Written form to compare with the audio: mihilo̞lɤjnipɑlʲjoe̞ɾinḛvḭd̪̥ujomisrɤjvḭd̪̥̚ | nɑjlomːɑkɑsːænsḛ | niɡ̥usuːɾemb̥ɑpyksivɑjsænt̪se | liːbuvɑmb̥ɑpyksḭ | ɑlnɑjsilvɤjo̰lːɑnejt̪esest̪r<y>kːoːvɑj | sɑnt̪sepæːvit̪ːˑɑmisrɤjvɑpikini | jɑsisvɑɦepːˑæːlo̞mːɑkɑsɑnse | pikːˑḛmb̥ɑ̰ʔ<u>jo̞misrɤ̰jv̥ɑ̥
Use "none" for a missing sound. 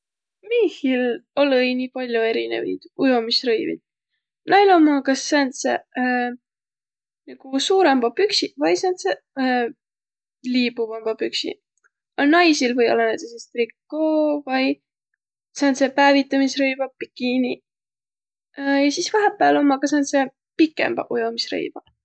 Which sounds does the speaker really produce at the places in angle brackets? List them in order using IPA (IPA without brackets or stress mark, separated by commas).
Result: i, u